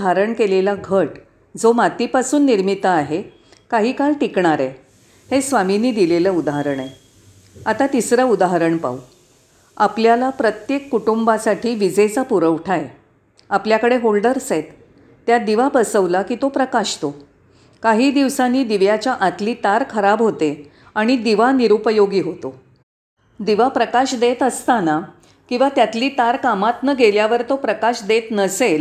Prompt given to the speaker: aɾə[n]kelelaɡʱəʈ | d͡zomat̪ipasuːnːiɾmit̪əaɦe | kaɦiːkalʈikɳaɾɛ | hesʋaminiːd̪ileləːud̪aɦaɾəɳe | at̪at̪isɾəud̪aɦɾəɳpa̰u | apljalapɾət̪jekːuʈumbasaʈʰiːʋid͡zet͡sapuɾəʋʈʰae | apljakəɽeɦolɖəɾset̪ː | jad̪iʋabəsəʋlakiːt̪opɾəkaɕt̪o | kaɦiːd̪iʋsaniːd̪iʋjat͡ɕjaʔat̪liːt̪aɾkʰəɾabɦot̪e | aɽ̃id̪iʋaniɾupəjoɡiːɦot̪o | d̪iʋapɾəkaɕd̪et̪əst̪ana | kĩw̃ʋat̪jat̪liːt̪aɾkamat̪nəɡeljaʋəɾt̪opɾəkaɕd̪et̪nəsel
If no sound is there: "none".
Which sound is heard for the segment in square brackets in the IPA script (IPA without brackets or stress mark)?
ɳ